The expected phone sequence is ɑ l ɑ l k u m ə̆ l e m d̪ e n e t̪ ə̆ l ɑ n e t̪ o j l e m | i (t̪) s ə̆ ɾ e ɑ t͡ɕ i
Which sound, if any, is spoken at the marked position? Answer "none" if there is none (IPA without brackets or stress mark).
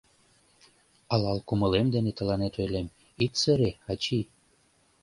t̪